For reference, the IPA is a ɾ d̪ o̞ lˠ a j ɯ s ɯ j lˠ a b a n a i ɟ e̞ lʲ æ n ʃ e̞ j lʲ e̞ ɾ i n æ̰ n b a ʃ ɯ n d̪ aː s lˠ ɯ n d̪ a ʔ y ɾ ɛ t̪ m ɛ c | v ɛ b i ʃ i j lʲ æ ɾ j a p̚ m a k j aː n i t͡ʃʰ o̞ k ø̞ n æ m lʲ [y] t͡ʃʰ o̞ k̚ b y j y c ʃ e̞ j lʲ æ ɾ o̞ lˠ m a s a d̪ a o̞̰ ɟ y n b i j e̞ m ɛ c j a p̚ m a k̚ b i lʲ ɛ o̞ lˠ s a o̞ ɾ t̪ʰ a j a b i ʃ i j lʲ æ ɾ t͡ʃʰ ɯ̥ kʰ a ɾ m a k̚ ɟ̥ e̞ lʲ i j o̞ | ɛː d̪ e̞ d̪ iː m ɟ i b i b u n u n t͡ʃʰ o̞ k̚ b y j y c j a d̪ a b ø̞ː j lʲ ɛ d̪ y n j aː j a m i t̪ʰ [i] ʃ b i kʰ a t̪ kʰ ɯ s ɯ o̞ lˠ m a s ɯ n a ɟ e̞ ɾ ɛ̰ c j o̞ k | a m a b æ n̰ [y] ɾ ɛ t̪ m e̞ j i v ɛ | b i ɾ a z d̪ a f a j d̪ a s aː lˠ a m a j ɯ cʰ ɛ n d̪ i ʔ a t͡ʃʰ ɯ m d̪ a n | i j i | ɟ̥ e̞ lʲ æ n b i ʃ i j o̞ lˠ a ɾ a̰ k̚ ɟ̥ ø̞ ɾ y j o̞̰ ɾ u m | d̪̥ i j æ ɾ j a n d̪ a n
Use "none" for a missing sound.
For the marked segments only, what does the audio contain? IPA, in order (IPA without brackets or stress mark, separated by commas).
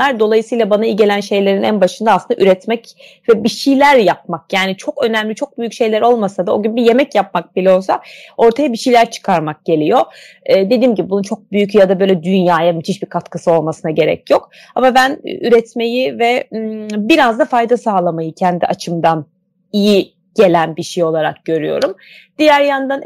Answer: i, i, y